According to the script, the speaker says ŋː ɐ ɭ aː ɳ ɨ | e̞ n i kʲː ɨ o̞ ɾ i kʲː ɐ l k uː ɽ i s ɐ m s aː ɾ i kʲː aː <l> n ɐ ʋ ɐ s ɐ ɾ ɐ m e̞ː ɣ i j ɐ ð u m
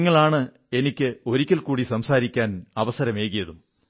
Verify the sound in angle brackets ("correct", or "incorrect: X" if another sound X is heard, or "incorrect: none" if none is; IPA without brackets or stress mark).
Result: incorrect: none